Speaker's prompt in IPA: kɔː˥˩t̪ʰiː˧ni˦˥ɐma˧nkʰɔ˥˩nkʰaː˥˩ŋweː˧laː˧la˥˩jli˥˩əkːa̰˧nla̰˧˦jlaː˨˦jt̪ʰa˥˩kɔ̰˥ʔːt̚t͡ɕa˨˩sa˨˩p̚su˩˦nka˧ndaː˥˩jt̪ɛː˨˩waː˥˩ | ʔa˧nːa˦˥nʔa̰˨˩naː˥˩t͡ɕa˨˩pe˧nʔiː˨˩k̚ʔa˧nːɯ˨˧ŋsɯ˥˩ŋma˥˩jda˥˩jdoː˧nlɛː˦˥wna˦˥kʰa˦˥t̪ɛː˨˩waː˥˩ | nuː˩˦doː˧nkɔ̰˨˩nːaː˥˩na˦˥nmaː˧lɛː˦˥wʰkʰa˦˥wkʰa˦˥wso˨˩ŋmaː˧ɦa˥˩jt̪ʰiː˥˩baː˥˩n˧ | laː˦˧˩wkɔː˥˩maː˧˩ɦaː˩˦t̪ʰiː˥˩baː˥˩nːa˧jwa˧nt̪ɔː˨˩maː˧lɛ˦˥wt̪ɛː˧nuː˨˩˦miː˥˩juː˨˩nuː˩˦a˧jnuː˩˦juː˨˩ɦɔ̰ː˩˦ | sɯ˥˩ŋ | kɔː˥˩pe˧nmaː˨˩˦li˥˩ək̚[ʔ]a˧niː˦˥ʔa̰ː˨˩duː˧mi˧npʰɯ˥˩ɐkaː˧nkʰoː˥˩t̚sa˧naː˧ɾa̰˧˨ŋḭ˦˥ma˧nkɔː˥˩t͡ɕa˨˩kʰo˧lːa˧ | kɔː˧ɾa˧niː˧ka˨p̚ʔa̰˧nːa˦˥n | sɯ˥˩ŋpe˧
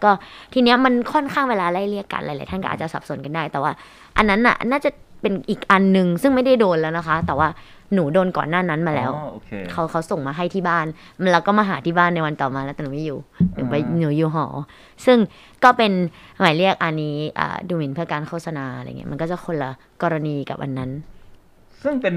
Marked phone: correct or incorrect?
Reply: correct